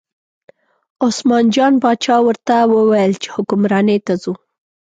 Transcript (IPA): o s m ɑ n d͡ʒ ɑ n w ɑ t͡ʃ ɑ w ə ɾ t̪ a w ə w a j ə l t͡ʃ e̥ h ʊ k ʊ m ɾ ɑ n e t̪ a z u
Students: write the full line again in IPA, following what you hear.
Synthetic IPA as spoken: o s m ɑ n d͡ʒ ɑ n b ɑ t͡ʃ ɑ w ə ɾ t̪ a w ə w a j ə l t͡ʃ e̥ h ʊ k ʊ m ɾ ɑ n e t̪ a z u